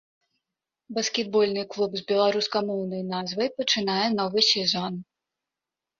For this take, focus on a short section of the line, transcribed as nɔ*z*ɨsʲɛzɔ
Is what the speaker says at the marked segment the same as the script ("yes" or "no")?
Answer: no